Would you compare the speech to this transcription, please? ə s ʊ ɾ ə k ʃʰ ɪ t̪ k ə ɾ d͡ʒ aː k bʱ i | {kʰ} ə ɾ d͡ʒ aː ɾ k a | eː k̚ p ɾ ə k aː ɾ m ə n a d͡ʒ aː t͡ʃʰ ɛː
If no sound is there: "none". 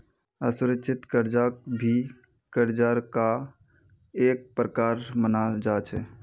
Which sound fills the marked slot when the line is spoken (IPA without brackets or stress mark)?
k